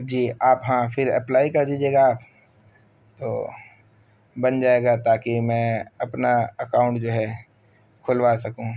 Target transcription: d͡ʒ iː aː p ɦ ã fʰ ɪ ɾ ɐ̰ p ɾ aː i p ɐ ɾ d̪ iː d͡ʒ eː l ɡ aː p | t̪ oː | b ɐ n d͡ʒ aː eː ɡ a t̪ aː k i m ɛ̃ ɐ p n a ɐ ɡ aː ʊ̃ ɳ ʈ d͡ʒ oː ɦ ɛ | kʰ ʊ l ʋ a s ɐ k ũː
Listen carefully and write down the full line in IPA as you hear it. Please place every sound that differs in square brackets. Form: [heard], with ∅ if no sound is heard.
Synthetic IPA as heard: d͡ʒ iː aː p ɦ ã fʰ ɪ ɾ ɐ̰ p [l] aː i [k] ɐ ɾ d̪ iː d͡ʒ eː [∅] ɡ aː p | t̪ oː | b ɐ n d͡ʒ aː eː ɡ a t̪ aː k i m ɛ̃ ɐ p n a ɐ [k] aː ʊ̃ ɳ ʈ d͡ʒ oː ɦ ɛ | kʰ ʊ l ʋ a s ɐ k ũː